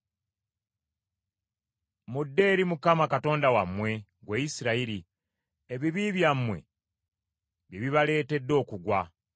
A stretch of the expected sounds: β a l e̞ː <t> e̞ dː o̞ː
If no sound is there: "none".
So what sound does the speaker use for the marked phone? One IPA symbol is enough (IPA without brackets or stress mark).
t